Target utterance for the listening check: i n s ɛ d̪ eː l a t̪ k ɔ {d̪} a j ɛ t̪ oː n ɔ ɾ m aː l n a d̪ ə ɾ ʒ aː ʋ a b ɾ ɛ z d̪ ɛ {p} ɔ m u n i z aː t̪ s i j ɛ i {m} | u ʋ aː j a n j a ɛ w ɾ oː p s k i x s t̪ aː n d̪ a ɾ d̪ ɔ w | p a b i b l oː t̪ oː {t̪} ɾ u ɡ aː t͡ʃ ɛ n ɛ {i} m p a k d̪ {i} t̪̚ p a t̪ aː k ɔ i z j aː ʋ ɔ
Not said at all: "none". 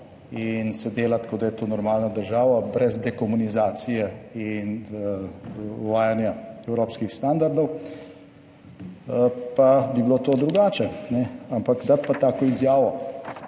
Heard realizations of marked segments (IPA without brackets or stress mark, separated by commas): d̪, k, n, d̪, a, a